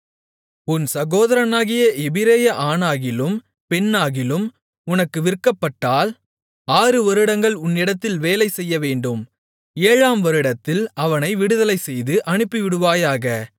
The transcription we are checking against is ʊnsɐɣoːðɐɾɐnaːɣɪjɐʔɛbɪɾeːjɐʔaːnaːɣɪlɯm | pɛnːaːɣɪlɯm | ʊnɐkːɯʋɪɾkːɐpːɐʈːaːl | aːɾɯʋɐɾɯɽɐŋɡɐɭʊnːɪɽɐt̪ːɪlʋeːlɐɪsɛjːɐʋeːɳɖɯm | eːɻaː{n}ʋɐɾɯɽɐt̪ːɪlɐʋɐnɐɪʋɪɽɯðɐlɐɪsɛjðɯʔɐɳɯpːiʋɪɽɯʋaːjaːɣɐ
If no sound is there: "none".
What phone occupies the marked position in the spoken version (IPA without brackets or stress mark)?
m